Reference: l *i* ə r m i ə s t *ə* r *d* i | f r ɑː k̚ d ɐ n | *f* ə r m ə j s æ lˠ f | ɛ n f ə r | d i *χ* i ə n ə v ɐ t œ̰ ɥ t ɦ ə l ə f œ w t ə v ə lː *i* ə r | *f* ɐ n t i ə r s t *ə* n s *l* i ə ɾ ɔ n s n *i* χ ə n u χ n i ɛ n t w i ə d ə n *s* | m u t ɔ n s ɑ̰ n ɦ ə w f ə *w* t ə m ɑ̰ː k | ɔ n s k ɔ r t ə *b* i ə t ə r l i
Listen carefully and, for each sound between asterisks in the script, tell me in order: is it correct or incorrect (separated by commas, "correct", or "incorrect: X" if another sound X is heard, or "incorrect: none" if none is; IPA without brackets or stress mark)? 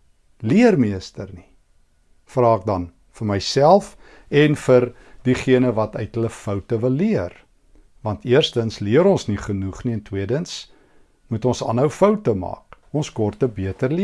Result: correct, correct, incorrect: n, correct, correct, correct, incorrect: v, correct, correct, correct, correct, correct, correct